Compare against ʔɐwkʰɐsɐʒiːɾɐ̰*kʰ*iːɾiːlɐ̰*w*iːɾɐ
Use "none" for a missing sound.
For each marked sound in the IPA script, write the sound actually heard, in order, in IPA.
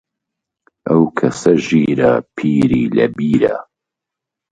pʰ, b

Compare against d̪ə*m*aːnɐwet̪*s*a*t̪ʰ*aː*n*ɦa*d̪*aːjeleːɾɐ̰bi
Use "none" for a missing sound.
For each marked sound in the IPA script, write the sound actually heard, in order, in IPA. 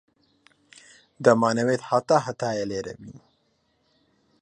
m, h, t̪, none, t̪

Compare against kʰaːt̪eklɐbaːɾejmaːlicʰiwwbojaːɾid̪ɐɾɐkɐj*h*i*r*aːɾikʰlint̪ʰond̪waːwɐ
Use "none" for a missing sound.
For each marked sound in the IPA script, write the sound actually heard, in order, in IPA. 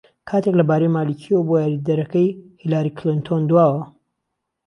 h, l

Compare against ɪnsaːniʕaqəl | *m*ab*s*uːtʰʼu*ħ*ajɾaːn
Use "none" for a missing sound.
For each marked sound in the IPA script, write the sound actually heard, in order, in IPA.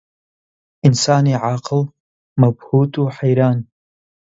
m, h, ħ

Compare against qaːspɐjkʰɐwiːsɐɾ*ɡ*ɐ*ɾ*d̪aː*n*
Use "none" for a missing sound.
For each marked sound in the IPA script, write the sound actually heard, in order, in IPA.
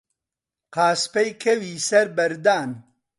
b, ɾ, n

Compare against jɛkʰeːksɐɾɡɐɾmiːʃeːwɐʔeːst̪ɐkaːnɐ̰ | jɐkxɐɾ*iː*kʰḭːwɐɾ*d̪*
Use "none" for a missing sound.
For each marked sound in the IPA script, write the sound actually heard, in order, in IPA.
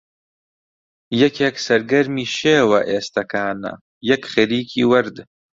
iː, d̪

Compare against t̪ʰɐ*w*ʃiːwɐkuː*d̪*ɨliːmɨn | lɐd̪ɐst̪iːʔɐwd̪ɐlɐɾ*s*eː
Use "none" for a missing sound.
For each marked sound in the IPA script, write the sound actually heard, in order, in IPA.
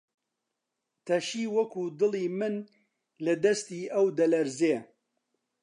none, d̪, z

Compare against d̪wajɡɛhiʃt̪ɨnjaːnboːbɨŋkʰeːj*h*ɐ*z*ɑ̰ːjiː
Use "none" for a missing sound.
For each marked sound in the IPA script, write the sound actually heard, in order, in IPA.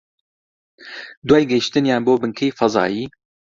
f, z

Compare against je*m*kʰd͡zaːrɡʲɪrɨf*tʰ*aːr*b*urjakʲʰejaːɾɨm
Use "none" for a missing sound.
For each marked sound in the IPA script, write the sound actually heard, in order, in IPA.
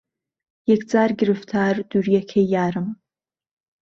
none, tʰ, d

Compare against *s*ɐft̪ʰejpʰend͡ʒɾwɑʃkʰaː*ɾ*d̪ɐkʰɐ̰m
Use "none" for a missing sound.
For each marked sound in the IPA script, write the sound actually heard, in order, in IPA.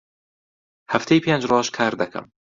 h, ɾ

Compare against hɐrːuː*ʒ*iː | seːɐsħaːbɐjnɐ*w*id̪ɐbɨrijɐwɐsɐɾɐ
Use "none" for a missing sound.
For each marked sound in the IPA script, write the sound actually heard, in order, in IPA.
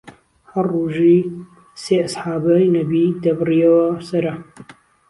ʒ, b

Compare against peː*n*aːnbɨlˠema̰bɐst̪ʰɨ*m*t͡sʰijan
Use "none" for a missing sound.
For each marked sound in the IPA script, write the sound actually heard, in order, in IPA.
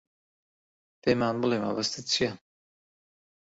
m, none

